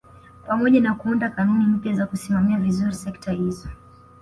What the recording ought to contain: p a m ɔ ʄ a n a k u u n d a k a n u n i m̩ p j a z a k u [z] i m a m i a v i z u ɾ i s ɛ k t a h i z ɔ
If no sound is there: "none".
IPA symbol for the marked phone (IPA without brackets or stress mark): s